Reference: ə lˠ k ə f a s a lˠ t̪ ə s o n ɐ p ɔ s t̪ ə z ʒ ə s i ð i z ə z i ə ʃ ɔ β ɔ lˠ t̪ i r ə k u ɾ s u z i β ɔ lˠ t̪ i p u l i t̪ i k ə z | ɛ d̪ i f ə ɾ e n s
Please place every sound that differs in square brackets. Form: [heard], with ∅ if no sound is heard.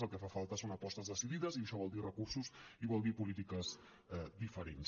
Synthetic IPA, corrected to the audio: ə lˠ k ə f a [f] a lˠ t̪ ə s o n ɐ p ɔ s t̪ ə z [ð] ə s i ð i [ð] ə z i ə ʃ ɔ β ɔ lˠ [d̪] i r ə k u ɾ s u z i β ɔ lˠ [d̪] i p u l i t̪ i k ə z | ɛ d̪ i f ə ɾ e n s